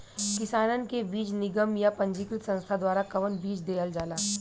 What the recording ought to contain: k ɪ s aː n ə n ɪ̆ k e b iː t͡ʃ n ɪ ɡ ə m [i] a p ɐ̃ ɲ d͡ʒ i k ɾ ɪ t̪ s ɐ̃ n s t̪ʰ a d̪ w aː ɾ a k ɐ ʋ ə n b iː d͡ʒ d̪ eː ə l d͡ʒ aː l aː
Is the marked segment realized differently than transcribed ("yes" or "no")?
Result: yes